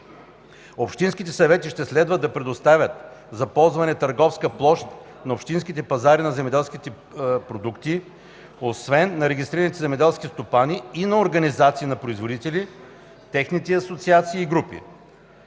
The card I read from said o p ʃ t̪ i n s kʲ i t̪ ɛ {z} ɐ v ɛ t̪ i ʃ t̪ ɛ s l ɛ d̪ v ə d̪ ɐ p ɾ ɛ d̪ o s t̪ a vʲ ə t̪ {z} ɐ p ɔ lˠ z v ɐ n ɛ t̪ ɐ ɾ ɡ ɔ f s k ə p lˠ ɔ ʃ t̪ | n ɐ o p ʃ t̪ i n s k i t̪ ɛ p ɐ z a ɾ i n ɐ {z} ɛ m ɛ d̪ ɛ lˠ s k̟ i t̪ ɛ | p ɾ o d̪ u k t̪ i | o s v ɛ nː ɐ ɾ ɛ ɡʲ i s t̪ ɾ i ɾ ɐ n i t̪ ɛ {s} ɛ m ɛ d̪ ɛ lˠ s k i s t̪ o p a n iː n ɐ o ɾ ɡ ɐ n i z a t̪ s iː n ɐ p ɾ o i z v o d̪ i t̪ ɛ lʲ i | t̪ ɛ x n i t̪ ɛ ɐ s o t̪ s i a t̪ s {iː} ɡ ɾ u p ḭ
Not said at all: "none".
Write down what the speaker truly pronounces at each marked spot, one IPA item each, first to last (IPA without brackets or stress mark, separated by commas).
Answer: s, z, z, z, iː